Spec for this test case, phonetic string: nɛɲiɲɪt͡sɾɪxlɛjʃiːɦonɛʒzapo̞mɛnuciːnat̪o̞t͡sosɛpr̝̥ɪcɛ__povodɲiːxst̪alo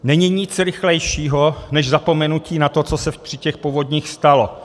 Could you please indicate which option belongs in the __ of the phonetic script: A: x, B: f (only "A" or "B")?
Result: A